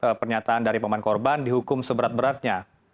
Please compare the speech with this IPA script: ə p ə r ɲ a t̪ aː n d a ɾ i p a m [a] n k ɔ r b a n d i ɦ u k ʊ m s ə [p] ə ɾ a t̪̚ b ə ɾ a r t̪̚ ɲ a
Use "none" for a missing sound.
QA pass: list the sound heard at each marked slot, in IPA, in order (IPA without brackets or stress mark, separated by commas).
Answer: a, b